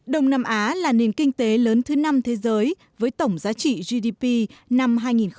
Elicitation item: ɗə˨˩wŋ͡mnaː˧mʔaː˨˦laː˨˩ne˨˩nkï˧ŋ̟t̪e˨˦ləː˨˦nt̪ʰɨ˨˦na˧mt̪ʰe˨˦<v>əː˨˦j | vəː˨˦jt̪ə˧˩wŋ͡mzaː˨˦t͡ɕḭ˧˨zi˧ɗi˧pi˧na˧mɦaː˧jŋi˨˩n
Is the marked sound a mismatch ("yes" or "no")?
yes